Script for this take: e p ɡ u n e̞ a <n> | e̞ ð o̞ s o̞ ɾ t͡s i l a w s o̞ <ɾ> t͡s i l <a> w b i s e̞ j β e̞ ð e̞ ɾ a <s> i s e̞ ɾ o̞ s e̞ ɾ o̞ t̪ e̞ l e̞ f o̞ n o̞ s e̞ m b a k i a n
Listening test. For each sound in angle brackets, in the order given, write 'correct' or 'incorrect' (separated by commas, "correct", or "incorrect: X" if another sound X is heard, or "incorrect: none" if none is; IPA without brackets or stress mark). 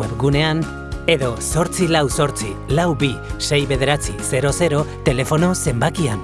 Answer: correct, correct, correct, incorrect: t͡s